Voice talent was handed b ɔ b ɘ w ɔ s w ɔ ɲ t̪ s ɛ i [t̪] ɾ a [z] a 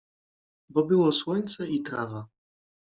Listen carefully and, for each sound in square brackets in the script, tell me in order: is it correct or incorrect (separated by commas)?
correct, incorrect